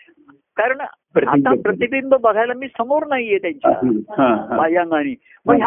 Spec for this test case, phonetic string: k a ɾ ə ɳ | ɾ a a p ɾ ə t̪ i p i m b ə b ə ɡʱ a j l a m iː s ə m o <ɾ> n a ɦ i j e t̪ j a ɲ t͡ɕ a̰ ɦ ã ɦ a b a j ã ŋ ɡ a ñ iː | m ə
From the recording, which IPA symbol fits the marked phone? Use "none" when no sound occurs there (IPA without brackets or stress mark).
ɾ